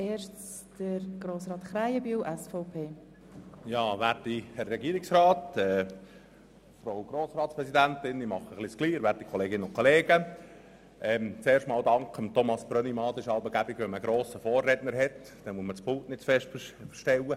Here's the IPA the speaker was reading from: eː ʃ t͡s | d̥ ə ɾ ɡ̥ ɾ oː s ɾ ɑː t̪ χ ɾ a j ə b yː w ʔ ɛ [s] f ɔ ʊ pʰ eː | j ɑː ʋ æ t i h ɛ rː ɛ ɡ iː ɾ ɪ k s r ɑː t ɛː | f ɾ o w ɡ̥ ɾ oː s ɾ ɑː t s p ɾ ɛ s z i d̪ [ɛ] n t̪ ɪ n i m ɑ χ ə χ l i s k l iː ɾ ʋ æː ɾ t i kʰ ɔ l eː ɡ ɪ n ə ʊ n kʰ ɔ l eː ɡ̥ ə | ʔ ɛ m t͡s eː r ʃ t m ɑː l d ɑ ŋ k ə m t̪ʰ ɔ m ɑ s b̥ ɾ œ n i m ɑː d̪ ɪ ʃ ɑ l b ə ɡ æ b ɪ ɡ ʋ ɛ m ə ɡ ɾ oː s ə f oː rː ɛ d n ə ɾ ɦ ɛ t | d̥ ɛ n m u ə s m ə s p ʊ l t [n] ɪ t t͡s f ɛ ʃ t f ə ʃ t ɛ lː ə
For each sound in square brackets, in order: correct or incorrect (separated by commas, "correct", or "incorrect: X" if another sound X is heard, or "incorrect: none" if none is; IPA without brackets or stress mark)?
correct, incorrect: æ, correct